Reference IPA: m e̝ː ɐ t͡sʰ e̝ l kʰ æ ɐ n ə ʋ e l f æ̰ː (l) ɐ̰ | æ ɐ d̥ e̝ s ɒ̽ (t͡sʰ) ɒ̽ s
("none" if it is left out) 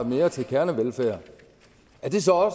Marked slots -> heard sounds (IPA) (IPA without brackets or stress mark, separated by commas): none, none